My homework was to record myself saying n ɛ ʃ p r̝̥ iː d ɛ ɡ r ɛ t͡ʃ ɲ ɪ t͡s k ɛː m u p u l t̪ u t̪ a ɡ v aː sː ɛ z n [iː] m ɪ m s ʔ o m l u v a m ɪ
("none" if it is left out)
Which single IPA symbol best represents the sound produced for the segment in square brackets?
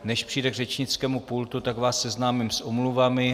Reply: aː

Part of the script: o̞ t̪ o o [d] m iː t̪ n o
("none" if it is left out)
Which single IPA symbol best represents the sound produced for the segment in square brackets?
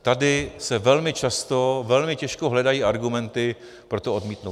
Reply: d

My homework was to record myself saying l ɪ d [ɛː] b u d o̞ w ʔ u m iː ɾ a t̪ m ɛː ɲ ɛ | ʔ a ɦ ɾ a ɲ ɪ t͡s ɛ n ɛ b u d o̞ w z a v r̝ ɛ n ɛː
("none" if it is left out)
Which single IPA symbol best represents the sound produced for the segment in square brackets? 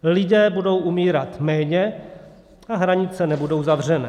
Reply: ɛː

